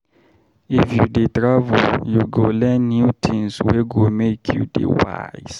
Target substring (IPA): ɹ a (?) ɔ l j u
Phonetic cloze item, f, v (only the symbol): v